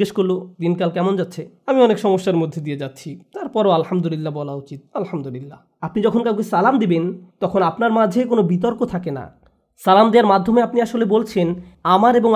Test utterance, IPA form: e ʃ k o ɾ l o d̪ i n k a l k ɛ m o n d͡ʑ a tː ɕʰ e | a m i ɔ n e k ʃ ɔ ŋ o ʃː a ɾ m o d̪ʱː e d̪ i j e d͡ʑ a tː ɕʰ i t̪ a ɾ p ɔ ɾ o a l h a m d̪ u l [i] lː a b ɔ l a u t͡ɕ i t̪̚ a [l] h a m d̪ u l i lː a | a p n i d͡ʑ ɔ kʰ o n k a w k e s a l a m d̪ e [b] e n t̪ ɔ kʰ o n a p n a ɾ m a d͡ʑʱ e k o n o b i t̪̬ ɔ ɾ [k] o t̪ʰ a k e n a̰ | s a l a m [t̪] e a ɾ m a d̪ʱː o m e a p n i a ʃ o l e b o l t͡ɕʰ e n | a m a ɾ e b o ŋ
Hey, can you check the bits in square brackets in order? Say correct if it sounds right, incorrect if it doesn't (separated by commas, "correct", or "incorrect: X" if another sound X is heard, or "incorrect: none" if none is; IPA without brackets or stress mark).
correct, correct, correct, correct, incorrect: d̪